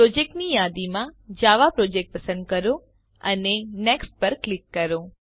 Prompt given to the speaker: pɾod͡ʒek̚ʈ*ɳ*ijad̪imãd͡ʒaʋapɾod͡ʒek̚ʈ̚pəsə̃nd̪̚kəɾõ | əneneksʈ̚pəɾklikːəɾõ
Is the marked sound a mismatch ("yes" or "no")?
yes